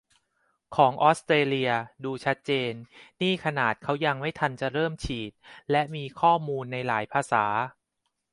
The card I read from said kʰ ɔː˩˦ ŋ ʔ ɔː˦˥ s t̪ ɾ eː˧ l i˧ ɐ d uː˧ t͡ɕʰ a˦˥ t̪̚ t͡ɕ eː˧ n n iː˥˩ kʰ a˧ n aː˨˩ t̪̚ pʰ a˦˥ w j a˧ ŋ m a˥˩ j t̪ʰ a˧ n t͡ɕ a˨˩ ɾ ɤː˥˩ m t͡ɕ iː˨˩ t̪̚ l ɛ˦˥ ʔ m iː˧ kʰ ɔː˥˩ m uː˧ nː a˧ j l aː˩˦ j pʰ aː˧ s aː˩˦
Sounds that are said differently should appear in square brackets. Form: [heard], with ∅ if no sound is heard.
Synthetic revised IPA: kʰ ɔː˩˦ ŋ ʔ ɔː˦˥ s t̪ ɾ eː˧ l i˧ ɐ d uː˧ t͡ɕʰ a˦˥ t̪̚ t͡ɕ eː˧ n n iː˥˩ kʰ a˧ n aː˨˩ t̪̚ [kʰ] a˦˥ w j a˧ ŋ m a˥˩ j t̪ʰ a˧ n t͡ɕ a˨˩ ɾ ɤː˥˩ m [t͡ɕʰ] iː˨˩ t̪̚ l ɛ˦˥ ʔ m iː˧ kʰ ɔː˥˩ m uː˧ nː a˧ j l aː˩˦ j pʰ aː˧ s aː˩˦